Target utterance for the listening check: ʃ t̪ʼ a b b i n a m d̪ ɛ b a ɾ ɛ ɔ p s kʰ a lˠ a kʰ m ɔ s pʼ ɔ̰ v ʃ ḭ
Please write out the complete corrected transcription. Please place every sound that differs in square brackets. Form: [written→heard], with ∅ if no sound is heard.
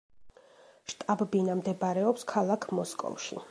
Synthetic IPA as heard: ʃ t̪ʼ a b b i n a m d̪ ɛ b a ɾ ɛ ɔ p s kʰ a lˠ a kʰ m ɔ s [pʼ→kʼ] ɔ̰ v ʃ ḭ